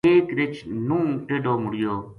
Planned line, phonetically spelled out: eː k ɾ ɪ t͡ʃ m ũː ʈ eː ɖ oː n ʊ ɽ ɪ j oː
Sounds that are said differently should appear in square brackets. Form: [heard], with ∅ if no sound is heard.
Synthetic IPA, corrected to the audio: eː k ɾ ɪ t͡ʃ [n] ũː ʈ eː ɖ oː [m] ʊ ɽ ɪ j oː